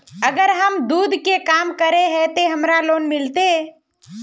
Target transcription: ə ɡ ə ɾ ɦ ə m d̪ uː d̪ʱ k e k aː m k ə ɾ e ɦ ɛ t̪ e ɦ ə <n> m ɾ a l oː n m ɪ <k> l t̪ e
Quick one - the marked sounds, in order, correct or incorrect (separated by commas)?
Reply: incorrect, incorrect